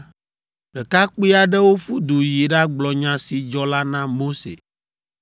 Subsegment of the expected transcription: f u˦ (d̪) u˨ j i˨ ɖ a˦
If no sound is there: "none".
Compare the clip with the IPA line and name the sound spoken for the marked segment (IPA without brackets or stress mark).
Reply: d̪